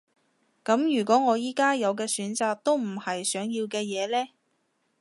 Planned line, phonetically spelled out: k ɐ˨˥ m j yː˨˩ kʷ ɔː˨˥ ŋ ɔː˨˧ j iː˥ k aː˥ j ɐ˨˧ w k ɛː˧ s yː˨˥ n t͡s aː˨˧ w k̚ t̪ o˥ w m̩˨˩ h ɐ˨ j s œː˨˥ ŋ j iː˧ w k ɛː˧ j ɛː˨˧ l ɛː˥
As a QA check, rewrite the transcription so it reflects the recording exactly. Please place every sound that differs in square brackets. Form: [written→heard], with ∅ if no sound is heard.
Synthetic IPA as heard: k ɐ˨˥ m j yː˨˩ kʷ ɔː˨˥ ŋ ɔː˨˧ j iː˥ k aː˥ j ɐ˨˧ w k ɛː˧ s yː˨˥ n t͡s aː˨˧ [w→∅] k̚ t̪ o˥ w m̩˨˩ h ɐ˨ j s œː˨˥ ŋ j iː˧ w k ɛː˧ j ɛː˨˧ l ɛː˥